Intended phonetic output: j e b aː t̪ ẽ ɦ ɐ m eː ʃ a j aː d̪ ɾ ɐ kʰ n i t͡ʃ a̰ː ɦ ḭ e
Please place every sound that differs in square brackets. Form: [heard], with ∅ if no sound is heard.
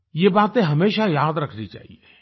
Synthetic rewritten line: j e b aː t̪ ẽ ɦ ɐ m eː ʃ a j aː d̪ ɾ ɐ kʰ n i t͡ʃ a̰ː ɦ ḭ e